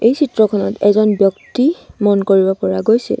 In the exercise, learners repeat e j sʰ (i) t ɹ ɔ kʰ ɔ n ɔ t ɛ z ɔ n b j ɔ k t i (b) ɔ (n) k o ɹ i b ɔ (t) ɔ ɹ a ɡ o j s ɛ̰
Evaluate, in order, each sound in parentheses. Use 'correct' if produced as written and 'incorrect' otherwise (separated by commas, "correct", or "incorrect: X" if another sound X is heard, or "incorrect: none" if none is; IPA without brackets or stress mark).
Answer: correct, incorrect: m, correct, incorrect: p